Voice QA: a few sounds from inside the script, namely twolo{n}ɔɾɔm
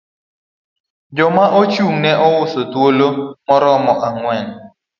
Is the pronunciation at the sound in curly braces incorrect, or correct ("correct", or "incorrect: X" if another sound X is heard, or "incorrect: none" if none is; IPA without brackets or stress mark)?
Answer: incorrect: m